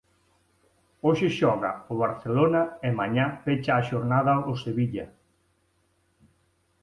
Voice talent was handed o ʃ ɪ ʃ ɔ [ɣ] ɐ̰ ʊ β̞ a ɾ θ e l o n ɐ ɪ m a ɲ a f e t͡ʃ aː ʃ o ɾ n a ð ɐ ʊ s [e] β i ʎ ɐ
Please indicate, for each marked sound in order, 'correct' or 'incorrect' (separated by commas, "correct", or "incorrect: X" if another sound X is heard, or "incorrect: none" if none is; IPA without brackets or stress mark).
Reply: correct, correct